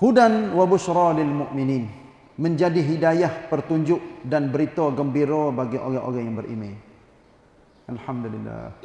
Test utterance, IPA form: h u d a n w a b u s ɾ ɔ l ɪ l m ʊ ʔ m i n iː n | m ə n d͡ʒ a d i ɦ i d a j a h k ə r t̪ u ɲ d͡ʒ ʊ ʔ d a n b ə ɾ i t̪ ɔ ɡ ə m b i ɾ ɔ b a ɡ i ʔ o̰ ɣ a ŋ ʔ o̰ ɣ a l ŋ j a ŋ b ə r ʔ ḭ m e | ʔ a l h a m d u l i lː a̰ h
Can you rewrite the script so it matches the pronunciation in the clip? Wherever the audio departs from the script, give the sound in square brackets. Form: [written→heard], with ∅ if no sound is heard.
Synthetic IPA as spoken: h u d a n w a b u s ɾ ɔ l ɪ l m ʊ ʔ m i n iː n | m ə [n→ɲ] d͡ʒ a d i ɦ i d a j a h [k→p] ə r t̪ u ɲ d͡ʒ ʊ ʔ d a n b ə ɾ i t̪ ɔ ɡ ə m b i ɾ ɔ b a ɡ i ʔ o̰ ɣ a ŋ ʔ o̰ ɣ a [l→∅] ŋ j a ŋ b ə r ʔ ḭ m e | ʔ a l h a m d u l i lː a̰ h